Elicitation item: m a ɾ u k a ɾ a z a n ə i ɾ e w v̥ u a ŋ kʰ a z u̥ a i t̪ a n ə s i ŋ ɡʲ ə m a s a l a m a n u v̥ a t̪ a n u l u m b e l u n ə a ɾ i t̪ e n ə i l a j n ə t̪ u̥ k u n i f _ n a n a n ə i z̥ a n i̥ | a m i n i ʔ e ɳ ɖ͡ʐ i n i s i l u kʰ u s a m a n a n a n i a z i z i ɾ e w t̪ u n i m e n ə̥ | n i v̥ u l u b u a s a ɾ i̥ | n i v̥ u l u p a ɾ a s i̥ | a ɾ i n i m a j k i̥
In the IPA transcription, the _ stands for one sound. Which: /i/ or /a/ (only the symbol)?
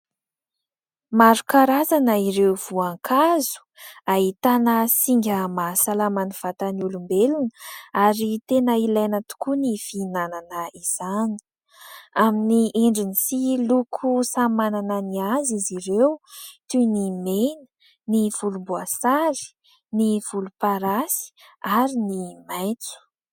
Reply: i